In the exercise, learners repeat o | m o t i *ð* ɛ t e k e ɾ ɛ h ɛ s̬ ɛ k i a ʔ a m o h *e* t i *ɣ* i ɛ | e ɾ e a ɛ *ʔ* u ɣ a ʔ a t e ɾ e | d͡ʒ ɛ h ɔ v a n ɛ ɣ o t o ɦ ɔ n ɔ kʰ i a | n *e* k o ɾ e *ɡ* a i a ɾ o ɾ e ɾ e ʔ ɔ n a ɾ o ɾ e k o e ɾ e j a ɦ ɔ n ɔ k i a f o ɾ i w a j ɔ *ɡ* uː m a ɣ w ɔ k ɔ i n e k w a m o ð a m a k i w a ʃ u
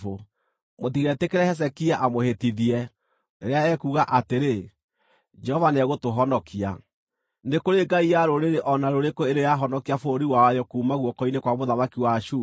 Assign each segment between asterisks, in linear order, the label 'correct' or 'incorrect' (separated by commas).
incorrect, correct, incorrect, incorrect, correct, correct, incorrect